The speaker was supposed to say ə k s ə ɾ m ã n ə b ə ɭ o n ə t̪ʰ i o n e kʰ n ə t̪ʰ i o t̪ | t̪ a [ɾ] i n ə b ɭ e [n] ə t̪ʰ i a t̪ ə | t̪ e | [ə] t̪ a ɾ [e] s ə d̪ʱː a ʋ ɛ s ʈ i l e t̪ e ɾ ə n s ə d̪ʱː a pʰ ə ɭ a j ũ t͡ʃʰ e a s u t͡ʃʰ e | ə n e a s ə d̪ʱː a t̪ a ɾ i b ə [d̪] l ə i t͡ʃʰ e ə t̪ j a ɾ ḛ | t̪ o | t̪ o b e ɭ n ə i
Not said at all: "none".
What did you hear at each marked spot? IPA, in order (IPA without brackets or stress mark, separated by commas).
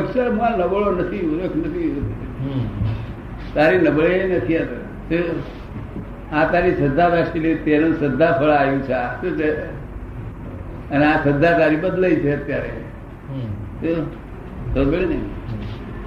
ɾ, n, a, i, d̪